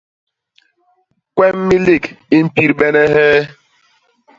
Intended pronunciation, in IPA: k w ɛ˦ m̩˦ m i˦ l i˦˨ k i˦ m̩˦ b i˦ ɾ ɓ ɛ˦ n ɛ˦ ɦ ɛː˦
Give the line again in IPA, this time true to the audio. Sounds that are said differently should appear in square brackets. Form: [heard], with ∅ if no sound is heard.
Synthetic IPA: k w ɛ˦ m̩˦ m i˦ l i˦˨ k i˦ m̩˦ [p] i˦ ɾ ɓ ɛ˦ n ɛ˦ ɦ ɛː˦